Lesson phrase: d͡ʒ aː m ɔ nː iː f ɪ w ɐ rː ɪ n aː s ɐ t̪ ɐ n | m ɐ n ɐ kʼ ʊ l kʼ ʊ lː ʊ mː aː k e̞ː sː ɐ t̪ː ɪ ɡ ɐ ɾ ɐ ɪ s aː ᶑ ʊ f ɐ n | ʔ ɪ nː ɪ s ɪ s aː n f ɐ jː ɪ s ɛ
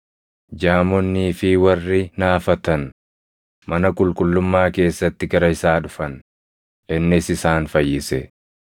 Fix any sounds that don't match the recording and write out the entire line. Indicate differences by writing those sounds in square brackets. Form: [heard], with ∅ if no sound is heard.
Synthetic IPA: d͡ʒ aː m ɔ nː iː f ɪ w ɐ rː ɪ n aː [f] ɐ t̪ ɐ n | m ɐ n ɐ kʼ ʊ l kʼ ʊ lː ʊ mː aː k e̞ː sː ɐ t̪ː ɪ ɡ ɐ ɾ ɐ ɪ s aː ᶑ ʊ f ɐ n | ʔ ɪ nː ɪ s ɪ s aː n f ɐ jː ɪ s ɛ

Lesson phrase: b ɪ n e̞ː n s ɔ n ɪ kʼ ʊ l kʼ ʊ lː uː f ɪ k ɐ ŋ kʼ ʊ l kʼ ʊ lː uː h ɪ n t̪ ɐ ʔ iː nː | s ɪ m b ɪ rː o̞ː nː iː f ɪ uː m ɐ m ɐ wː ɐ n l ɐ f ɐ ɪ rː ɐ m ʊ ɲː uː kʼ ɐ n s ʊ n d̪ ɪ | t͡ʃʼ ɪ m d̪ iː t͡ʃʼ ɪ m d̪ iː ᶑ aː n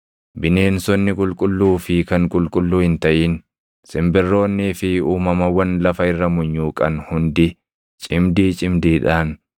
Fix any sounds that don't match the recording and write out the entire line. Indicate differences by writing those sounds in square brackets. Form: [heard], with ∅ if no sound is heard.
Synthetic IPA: b ɪ n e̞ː n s ɔ [nː] ɪ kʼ ʊ l kʼ ʊ lː uː f ɪ k ɐ ŋ kʼ ʊ l kʼ ʊ lː uː h ɪ n t̪ ɐ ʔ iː [n] | s ɪ m b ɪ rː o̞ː nː iː f ɪ uː m ɐ m ɐ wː ɐ n l ɐ f ɐ ɪ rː ɐ m ʊ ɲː uː kʼ ɐ n [h] ʊ n d̪ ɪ | t͡ʃʼ ɪ m d̪ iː t͡ʃʼ ɪ m d̪ iː ᶑ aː n

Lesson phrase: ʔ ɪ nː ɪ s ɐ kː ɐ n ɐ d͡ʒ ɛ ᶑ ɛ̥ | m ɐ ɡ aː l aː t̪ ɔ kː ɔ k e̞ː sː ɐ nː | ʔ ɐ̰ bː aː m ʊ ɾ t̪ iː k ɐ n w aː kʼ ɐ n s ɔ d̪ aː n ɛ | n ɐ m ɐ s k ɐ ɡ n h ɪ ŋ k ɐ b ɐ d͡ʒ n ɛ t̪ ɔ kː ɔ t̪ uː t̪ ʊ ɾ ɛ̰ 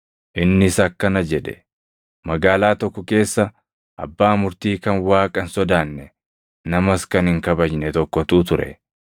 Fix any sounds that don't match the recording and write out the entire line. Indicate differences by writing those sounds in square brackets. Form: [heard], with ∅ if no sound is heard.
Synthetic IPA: ʔ ɪ nː ɪ s ɐ kː ɐ n ɐ d͡ʒ ɛ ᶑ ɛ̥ | m ɐ ɡ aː l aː t̪ ɔ kː ɔ k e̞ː sː ɐ [∅] | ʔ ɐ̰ bː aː m ʊ ɾ t̪ iː k ɐ n w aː kʼ ɐ n s ɔ d̪ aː [nː] ɛ | n ɐ m ɐ s k ɐ [∅] n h ɪ ŋ k ɐ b ɐ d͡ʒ n ɛ t̪ ɔ kː ɔ t̪ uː t̪ ʊ ɾ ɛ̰

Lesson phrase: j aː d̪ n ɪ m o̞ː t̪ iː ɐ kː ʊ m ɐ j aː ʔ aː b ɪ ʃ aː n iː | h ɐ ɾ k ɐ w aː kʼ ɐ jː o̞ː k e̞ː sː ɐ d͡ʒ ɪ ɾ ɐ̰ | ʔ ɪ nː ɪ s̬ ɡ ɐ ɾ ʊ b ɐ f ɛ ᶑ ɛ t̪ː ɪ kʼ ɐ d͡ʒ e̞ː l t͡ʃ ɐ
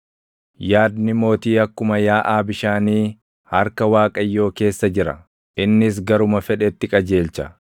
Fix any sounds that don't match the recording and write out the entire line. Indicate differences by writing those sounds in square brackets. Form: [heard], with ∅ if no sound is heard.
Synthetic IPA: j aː d̪ n ɪ m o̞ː t̪ iː ɐ kː ʊ m ɐ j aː ʔ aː b ɪ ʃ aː n iː | h ɐ ɾ k ɐ w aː kʼ ɐ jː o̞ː k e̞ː sː ɐ d͡ʒ ɪ ɾ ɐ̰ | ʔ ɪ nː ɪ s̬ ɡ ɐ ɾ ʊ [m] ɐ f ɛ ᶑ ɛ t̪ː ɪ kʼ ɐ d͡ʒ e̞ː l t͡ʃ ɐ

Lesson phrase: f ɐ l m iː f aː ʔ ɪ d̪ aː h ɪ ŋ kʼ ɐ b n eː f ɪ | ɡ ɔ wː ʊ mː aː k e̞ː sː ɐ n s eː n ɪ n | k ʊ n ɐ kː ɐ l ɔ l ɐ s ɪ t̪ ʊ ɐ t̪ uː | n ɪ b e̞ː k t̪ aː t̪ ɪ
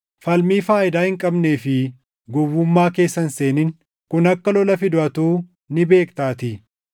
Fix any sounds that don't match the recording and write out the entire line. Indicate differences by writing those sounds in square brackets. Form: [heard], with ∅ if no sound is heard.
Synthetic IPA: f ɐ l m iː f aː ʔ ɪ d̪ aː h ɪ ŋ kʼ ɐ b n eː f ɪ | ɡ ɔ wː ʊ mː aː k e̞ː sː ɐ n s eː n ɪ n | k ʊ n ɐ kː ɐ l ɔ l ɐ [f] ɪ [d̪] ʊ ɐ t̪ uː | n ɪ b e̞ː k t̪ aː t̪ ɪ

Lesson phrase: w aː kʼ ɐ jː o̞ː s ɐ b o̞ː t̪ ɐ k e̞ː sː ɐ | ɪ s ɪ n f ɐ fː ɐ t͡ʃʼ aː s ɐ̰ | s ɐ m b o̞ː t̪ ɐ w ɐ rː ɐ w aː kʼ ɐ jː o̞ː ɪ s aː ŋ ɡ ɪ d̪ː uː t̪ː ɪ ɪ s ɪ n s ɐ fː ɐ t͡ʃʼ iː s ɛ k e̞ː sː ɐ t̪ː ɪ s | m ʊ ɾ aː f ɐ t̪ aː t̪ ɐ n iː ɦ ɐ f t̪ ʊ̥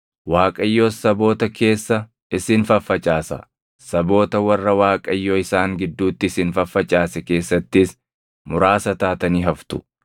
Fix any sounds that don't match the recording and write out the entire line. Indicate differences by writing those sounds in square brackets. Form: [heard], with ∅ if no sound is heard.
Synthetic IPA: w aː kʼ ɐ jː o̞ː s ɐ b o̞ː t̪ ɐ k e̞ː sː ɐ | ɪ s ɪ n f ɐ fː ɐ t͡ʃʼ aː s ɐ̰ | s ɐ [∅] b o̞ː t̪ ɐ w ɐ rː ɐ w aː kʼ ɐ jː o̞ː ɪ s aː ŋ ɡ ɪ d̪ː uː t̪ː ɪ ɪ s ɪ n [f] ɐ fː ɐ t͡ʃʼ [aː] s ɛ k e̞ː sː ɐ t̪ː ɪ s | m ʊ ɾ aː [s] ɐ t̪ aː t̪ ɐ n iː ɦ ɐ f t̪ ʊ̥

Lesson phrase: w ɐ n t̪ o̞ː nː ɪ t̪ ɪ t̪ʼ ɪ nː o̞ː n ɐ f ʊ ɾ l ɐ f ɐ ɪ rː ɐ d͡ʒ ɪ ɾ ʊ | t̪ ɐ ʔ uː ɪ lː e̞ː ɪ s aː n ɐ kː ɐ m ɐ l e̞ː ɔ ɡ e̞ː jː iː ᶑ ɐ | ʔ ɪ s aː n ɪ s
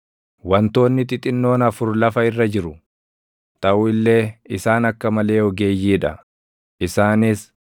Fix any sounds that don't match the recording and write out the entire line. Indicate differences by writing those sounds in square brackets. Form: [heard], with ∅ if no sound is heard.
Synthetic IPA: w ɐ n t̪ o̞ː nː ɪ t̪ ɪ t̪ʼ ɪ nː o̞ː n ɐ f ʊ ɾ l ɐ f ɐ ɪ rː ɐ d͡ʒ ɪ ɾ ʊ | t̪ ɐ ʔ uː ɪ lː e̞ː ɪ s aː n ɐ kː ɐ m ɐ l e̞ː ɔ ɡ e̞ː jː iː ᶑ ɐ | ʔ ɪ s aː n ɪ s

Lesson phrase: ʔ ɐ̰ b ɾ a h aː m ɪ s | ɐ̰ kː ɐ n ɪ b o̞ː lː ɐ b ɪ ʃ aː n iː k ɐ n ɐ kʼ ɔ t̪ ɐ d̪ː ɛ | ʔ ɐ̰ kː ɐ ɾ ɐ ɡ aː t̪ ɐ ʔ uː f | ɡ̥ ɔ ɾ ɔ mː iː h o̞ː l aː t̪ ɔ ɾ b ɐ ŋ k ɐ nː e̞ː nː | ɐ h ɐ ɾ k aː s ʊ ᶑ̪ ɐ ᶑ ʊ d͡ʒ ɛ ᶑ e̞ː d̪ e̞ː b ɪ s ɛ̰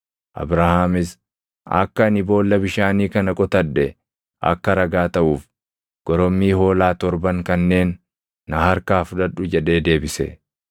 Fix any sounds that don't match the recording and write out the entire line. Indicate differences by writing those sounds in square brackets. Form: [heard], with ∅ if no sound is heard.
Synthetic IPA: ʔ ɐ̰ b ɾ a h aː m ɪ s | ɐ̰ kː ɐ n ɪ b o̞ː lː ɐ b ɪ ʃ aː n iː k ɐ n ɐ kʼ ɔ t̪ ɐ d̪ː ɛ | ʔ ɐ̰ kː ɐ ɾ ɐ ɡ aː t̪ ɐ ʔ uː f | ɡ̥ ɔ ɾ ɔ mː iː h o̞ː l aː t̪ ɔ ɾ b ɐ ŋ k ɐ nː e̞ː nː | ɐ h ɐ ɾ k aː [f] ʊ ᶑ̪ ɐ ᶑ ʊ d͡ʒ ɛ ᶑ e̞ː d̪ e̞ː b ɪ s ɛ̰

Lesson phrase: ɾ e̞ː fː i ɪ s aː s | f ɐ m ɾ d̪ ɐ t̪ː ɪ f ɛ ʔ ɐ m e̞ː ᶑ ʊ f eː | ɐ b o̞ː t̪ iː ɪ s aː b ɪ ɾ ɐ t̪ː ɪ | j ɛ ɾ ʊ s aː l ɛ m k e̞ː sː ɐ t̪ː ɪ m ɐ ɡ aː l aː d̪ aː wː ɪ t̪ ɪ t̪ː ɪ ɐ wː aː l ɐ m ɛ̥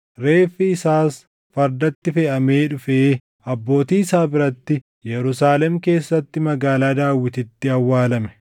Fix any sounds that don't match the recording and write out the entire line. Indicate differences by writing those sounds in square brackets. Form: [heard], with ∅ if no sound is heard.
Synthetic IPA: ɾ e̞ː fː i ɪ s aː s | f ɐ [∅] ɾ d̪ ɐ t̪ː ɪ f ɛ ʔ ɐ m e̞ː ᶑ ʊ f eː | ɐ [bː] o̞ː t̪ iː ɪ s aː b ɪ ɾ ɐ t̪ː ɪ | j ɛ ɾ ʊ s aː l ɛ m k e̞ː sː ɐ t̪ː ɪ m ɐ ɡ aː l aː d̪ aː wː ɪ t̪ ɪ t̪ː ɪ ɐ wː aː l ɐ m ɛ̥

